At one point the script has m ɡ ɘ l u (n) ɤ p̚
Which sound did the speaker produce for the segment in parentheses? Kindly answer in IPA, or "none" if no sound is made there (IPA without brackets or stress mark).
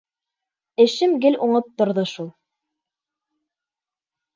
ɴ